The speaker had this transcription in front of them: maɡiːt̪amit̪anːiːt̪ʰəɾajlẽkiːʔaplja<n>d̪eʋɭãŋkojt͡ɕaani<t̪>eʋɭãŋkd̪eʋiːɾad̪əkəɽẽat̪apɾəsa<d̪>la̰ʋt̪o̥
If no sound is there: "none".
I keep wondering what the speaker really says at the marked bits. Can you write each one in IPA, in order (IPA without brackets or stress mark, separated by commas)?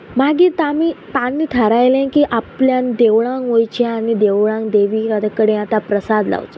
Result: n, d̪, d̪